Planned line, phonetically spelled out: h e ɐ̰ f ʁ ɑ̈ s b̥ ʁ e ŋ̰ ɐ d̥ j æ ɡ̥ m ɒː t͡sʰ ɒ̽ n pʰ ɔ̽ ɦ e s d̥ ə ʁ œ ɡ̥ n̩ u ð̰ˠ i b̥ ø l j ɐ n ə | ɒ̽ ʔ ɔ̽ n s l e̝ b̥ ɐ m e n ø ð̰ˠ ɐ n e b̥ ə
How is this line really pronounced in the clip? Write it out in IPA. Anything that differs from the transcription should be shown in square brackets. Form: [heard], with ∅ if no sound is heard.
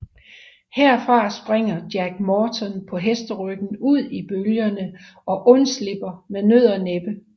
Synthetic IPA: h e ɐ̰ f ʁ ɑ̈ s b̥ ʁ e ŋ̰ ɐ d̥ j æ ɡ̥ m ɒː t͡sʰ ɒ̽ n pʰ [ɒ̽] ɦ e s d̥ ə ʁ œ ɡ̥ n̩ u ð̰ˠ i b̥ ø l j ɐ n ə | ɒ̽ ʔ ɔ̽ n s l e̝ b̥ ɐ m e n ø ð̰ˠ ɐ n e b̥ ə

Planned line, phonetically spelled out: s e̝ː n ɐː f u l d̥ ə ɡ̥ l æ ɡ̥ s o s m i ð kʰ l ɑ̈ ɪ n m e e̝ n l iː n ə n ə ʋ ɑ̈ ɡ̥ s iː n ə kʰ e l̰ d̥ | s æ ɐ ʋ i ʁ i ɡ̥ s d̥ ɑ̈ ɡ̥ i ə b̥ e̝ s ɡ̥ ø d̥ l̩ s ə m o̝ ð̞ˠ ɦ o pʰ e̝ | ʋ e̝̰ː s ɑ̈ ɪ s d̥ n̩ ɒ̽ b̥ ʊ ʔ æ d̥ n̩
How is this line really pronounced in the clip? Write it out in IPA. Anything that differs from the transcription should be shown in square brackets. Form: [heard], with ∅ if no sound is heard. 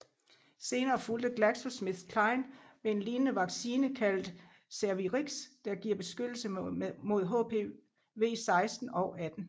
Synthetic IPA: s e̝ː n ɐː f u l d̥ ə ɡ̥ l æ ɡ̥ s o s m i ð kʰ l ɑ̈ ɪ n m e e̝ n l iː n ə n ə ʋ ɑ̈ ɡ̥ s iː n ə kʰ [æ] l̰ d̥ | s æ ɐ ʋ i ʁ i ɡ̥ s d̥ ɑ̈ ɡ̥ i [ɐ] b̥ e̝ s ɡ̥ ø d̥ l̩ s ə m o̝ ð̞ˠ ɦ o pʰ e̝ | ʋ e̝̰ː s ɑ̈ ɪ s d̥ n̩ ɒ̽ [∅] ʊ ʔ æ d̥ n̩

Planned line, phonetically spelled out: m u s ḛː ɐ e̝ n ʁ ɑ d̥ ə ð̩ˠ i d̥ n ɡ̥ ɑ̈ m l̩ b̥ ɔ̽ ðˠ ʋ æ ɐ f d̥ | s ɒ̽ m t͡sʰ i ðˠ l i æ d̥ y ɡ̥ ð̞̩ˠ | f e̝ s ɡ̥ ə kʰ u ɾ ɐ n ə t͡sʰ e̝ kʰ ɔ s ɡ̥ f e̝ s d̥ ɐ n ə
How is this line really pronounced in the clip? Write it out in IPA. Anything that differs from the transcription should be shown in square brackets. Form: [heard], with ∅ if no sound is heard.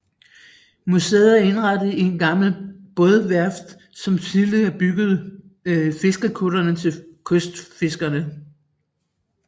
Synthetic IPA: m u s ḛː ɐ e̝ n ʁ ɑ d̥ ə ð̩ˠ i [∅] n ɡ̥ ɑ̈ m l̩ b̥ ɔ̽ ðˠ ʋ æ ɐ f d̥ | s ɒ̽ m t͡sʰ i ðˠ l i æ [b̥] y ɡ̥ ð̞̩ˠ | f e̝ s ɡ̥ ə kʰ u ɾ ɐ n ə t͡sʰ e̝ kʰ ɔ s [d̥] f e̝ s [ɡ̥] ɐ n ə

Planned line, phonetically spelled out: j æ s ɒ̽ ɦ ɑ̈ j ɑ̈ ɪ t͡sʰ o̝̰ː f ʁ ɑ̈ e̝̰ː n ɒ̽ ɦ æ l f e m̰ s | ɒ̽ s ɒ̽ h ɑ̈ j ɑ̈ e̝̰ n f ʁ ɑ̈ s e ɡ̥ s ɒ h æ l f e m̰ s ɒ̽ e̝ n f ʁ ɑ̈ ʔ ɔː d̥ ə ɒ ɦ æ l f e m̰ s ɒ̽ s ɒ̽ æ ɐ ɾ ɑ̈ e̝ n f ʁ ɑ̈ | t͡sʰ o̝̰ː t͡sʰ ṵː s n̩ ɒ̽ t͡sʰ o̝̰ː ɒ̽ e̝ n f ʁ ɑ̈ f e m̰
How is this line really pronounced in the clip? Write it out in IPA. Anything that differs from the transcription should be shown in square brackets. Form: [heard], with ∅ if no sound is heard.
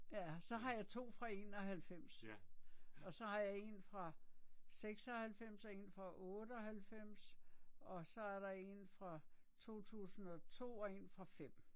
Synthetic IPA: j æ s ɒ̽ ɦ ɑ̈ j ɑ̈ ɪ t͡sʰ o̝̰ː f ʁ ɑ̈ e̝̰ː n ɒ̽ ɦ æ l f e m̰ s | ɒ̽ s ɒ̽ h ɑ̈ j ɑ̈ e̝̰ n f ʁ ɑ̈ s e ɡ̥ s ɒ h æ l f e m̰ s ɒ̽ e̝ n f ʁ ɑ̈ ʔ ɔː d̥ ə ɒ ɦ æ l f e m̰ s ɒ̽ s ɒ̽ æ ɐ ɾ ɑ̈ e̝ n f ʁ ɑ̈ | t͡sʰ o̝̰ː t͡sʰ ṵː s n̩ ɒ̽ t͡sʰ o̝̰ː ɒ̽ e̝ n f ʁ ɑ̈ f e m̰

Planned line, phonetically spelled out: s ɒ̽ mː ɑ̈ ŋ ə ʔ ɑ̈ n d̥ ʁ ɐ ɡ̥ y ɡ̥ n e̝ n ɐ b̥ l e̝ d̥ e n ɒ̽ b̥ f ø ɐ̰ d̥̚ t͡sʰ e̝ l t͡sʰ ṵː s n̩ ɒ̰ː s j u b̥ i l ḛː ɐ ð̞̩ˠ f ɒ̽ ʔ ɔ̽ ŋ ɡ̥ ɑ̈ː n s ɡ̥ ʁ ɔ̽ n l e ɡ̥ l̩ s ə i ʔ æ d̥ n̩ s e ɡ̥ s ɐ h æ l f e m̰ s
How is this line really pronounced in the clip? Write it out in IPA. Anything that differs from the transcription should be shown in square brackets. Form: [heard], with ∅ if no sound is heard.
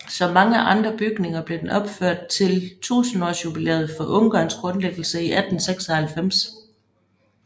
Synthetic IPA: s ɒ̽ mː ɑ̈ ŋ ə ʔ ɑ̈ n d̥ ʁ ɐ [b̥] y ɡ̥ n e̝ [ŋ] ɐ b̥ l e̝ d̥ e n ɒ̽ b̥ f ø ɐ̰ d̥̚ t͡sʰ e̝ l t͡sʰ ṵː s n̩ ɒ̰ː s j u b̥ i l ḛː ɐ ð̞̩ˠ f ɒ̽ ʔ ɔ̽ ŋ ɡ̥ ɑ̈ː n s ɡ̥ ʁ ɔ̽ n l e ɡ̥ l̩ s ə i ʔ æ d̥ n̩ s e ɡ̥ s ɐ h æ l f e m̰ s

